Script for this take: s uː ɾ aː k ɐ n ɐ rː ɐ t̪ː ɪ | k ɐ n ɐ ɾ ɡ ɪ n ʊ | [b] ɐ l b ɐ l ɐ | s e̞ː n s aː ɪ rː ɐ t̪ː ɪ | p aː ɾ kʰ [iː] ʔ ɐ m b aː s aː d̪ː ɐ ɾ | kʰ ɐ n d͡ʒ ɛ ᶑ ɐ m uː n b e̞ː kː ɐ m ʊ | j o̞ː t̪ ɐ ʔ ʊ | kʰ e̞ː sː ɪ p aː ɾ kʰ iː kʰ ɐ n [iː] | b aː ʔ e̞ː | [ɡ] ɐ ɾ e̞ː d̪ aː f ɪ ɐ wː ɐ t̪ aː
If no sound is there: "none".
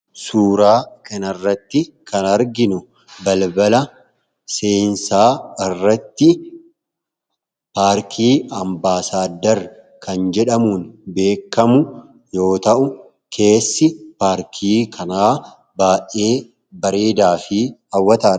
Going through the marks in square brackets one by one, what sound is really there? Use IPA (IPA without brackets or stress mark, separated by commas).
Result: b, iː, aː, b